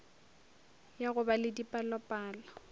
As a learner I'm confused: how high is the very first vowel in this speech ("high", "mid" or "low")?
low